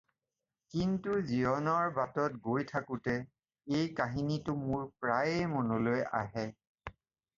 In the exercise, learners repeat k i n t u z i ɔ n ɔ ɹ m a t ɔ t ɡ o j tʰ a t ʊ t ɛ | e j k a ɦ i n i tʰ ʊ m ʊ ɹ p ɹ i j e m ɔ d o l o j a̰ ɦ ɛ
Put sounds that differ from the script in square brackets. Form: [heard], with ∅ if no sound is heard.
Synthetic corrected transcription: k i n t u z i ɔ n ɔ ɹ [b] a t ɔ t ɡ o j tʰ a [k] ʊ t ɛ | e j k a ɦ i n i [t] ʊ m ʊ ɹ p ɹ [a] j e m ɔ [n] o l o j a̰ ɦ ɛ